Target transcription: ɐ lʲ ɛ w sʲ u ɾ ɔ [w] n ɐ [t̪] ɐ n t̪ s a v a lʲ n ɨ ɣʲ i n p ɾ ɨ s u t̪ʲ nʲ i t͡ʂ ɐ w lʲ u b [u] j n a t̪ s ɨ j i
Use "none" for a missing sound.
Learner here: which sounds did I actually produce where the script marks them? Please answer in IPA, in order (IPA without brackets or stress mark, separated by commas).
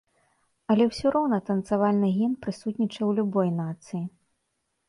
w, t̪, ɔ